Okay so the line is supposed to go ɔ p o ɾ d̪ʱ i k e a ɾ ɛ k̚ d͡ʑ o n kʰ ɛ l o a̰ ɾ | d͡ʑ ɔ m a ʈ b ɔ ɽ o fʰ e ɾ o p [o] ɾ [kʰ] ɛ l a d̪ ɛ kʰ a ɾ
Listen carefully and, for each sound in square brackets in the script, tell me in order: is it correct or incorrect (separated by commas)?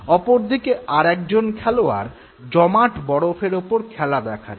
correct, correct